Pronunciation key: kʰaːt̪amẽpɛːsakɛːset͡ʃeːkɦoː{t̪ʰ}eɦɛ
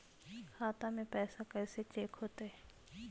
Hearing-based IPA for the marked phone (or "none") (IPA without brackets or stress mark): t̪